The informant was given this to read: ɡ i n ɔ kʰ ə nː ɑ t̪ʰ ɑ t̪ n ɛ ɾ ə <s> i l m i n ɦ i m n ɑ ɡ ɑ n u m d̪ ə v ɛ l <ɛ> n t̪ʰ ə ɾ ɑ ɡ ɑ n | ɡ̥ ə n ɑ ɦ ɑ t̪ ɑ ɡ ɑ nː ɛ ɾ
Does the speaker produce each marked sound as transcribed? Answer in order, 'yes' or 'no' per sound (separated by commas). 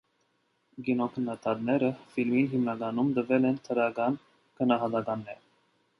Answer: no, yes